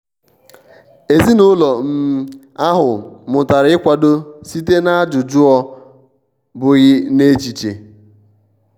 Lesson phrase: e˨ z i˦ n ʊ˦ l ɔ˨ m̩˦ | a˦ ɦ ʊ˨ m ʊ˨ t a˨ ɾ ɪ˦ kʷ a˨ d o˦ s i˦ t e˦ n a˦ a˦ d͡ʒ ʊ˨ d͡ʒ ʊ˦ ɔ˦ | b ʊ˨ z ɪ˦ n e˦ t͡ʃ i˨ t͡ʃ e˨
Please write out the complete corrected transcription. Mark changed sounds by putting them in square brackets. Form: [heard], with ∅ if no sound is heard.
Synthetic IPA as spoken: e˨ z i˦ n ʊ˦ l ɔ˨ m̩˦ | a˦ ɦ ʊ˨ m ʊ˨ t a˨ ɾ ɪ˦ kʷ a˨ d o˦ s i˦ t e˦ n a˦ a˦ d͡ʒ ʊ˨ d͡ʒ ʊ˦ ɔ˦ | b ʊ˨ [ɣ] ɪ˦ n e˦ t͡ʃ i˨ t͡ʃ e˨